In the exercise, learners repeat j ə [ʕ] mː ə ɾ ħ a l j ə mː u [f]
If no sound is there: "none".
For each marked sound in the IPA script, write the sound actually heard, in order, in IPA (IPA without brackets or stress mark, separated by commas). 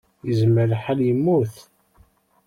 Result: z, θ